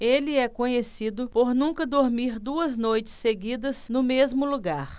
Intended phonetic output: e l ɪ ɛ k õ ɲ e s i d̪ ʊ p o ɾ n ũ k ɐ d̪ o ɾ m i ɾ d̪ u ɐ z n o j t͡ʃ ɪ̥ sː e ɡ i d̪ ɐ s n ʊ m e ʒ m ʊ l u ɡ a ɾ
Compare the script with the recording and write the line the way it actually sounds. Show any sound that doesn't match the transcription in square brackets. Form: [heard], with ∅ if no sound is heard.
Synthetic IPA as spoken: e l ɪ ɛ k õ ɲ e s i d̪ ʊ p o ɾ n ũ k ɐ d̪ o ɾ m i ɾ d̪ u ɐ z n o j t͡ʃ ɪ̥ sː e ɡ i d̪ ɐ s n ʊ m e [z] m ʊ l u ɡ a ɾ

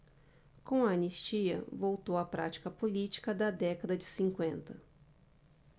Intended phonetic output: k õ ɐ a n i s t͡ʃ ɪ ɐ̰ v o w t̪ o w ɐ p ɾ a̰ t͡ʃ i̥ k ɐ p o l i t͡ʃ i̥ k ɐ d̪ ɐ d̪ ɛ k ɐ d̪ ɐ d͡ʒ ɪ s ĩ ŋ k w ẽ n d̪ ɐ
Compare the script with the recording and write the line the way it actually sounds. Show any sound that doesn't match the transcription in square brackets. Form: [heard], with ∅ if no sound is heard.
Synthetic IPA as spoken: k õ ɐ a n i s t͡ʃ [i] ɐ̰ v o w t̪ o w ɐ p ɾ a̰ t͡ʃ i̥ k ɐ p o l i t͡ʃ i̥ k ɐ d̪ ɐ d̪ ɛ k ɐ d̪ ɐ d͡ʒ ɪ s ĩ ŋ k w ẽ n [t̪] ɐ

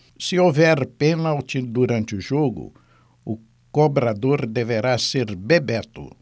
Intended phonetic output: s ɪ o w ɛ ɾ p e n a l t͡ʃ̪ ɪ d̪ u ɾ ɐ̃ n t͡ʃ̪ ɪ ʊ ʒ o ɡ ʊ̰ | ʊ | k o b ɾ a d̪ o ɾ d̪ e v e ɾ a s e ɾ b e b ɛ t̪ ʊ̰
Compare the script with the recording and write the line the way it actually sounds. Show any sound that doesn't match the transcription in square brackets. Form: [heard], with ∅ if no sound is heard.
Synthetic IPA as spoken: s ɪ o [v] ɛ ɾ p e n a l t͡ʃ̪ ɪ d̪ u ɾ ɐ̃ n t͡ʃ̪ ɪ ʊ ʒ o ɡ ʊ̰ | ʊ | k o b ɾ a d̪ o ɾ d̪ e v e ɾ a s e ɾ b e b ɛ t̪ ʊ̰

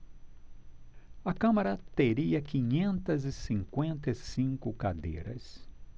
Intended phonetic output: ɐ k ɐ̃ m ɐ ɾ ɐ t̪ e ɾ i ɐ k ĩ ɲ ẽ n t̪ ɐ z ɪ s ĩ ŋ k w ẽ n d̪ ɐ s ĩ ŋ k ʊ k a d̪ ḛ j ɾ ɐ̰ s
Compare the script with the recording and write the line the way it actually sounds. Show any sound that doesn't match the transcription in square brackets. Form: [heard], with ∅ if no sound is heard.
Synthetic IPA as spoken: ɐ k ɐ̃ m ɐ ɾ ɐ t̪ e ɾ i ɐ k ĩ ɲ ẽ n t̪ ɐ z ɪ s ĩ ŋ k w ẽ n [t̪] ɐ s ĩ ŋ k ʊ k a d̪ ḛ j ɾ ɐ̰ s

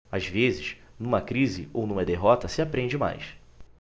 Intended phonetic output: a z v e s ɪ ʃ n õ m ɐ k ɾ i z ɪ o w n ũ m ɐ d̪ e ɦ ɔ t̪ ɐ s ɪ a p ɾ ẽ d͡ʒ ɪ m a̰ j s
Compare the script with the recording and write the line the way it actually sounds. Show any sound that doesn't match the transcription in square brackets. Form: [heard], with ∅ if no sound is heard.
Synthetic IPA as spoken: a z v e [z] ɪ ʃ n [ũ] m ɐ k ɾ i z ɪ o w n ũ m ɐ d̪ e ɦ ɔ t̪ ɐ s ɪ a p ɾ ẽ d͡ʒ ɪ m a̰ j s

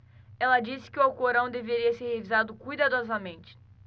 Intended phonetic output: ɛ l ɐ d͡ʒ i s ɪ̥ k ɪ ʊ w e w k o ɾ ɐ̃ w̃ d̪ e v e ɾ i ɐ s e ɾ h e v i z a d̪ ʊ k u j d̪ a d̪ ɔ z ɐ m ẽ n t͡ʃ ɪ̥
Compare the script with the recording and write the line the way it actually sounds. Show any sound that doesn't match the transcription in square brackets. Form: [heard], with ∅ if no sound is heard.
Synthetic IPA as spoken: ɛ l ɐ d͡ʒ i s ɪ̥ k ɪ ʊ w [a] w k o ɾ ɐ̃ w̃ d̪ e v e ɾ i ɐ s e ɾ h e v i z a d̪ ʊ k u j d̪ a d̪ ɔ z ɐ m ẽ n t͡ʃ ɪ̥

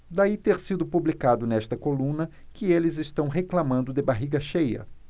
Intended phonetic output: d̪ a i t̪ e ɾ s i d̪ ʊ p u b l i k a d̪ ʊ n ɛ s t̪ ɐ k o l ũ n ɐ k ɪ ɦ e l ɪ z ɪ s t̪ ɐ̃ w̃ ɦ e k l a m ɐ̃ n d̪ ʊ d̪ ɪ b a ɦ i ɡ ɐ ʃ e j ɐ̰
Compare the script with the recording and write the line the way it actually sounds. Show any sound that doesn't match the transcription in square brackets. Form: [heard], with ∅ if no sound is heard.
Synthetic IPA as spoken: d̪ a i t̪ e ɾ s i d̪ ʊ p u b l i k a d̪ ʊ n ɛ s t̪ ɐ k o l ũ n ɐ k ɪ [∅] e l ɪ z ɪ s t̪ ɐ̃ w̃ ɦ e k l a m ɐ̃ n d̪ ʊ d̪ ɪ b a ɦ i ɡ ɐ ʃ e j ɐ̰

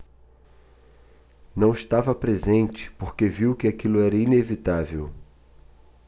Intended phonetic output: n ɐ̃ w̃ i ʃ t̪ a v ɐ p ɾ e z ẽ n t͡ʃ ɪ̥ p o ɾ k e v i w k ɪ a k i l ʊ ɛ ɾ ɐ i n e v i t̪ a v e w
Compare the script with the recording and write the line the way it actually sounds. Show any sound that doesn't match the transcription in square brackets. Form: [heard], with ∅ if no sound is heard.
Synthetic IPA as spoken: n ɐ̃ w̃ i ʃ t̪ a v ɐ p ɾ e z ẽ n t͡ʃ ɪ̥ p o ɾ k e v i w k ɪ a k i l ʊ ɛ ɾ ɐ i n e v i t̪ a v e w

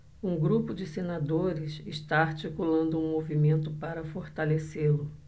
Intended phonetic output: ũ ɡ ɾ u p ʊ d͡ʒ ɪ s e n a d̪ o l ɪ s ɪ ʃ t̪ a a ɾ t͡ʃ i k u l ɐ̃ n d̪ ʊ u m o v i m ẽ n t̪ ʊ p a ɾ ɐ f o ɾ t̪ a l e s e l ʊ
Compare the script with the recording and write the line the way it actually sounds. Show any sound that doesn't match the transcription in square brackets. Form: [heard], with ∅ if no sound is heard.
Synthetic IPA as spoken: ũ ɡ ɾ u p ʊ d͡ʒ ɪ s e n a d̪ o [ɾ] ɪ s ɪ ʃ t̪ a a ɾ t͡ʃ i k u l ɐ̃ n d̪ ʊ [ũ] m o v i m ẽ n t̪ ʊ p a ɾ ɐ f o ɾ t̪ a l e s e l ʊ

